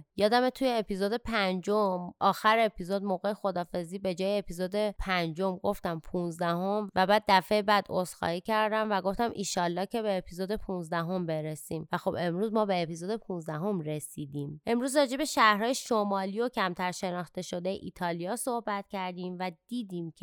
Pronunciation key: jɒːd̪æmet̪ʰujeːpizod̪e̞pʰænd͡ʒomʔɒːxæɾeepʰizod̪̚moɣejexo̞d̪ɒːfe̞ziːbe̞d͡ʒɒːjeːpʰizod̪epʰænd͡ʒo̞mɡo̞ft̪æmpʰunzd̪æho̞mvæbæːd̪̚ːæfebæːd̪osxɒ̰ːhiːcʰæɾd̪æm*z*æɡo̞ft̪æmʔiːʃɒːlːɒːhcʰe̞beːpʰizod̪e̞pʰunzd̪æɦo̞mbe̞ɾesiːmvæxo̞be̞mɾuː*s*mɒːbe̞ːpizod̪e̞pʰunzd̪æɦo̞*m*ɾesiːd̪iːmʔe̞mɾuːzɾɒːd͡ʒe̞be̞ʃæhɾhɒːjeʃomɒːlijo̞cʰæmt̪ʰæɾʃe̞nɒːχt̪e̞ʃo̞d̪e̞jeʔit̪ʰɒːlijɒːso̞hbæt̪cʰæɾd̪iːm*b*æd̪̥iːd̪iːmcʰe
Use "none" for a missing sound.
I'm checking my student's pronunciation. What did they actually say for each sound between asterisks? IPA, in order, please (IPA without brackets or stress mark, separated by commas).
v, z, m, v